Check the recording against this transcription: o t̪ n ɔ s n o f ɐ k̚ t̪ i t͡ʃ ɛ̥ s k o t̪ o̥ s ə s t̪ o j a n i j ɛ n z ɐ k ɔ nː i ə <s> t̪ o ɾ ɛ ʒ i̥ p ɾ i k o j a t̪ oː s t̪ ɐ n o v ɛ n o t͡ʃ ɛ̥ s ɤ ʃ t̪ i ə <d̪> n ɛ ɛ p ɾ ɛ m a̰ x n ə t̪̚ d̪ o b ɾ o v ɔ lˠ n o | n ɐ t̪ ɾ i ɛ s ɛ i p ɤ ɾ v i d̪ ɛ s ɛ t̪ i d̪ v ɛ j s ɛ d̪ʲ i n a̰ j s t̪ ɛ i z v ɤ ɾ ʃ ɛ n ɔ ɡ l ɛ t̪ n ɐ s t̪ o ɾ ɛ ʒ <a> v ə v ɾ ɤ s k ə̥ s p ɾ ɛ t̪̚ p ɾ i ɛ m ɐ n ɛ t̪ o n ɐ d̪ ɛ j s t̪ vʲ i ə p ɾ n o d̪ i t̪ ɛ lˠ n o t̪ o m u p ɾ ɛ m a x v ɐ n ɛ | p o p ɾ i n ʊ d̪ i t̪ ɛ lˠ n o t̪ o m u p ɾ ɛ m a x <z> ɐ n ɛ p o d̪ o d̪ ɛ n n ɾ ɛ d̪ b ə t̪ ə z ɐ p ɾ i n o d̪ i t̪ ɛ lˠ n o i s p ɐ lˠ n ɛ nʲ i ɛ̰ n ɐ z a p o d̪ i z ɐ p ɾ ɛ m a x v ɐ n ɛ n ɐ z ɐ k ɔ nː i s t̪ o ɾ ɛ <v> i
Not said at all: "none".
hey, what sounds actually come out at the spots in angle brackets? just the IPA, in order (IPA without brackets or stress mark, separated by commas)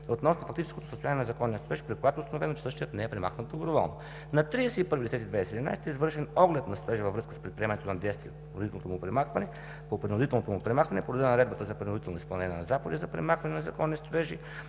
s, t̪, i, v, ʒ